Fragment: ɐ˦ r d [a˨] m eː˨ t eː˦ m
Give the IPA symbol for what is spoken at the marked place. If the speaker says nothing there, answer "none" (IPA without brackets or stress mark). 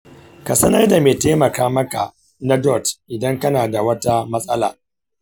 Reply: a˨